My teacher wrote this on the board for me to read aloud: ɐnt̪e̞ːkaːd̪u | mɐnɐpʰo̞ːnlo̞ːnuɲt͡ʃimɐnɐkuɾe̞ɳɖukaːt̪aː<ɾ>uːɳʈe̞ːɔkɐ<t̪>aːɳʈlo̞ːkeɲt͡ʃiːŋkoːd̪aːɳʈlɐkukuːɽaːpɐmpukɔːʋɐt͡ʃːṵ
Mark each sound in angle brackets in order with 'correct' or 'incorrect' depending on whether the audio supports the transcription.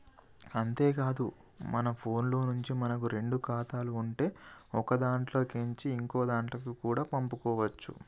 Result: incorrect, incorrect

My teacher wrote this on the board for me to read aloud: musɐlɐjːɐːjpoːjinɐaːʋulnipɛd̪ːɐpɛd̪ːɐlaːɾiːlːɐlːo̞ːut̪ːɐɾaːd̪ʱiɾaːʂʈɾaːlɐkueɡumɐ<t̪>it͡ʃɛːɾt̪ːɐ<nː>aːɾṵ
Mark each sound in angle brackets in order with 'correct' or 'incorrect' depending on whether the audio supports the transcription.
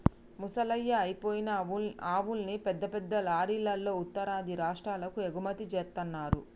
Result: correct, correct

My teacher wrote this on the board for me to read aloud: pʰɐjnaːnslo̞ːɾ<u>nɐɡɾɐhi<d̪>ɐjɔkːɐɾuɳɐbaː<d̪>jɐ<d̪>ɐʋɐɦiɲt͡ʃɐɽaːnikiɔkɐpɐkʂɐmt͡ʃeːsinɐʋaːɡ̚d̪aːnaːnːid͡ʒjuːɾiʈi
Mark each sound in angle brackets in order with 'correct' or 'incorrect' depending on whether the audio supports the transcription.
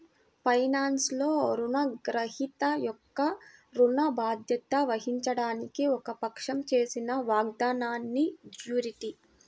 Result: correct, incorrect, correct, incorrect

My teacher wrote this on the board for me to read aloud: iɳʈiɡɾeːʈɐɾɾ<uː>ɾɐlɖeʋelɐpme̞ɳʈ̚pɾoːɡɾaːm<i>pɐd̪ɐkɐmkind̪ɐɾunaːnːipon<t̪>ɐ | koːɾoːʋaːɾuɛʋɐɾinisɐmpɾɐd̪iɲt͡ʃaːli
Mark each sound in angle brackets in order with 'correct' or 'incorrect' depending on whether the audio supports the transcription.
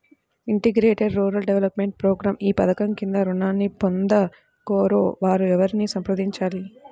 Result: correct, incorrect, incorrect

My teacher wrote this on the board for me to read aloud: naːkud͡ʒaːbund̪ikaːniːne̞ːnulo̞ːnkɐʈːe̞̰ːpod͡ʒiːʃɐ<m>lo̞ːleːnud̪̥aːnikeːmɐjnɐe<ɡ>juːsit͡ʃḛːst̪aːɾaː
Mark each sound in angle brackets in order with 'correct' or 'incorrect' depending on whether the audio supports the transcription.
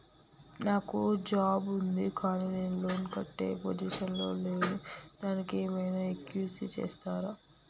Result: incorrect, incorrect

